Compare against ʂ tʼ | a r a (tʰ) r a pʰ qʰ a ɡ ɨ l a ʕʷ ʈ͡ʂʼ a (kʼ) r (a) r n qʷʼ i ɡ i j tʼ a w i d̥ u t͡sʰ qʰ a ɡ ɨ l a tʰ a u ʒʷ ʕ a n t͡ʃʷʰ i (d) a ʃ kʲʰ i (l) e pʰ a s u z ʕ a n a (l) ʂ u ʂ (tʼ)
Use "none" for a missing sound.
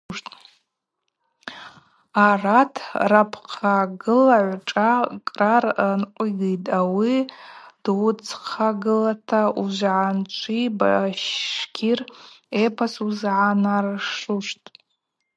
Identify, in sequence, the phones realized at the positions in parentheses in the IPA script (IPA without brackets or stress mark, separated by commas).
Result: tʰ, kʼ, a, b, r, r, tʼ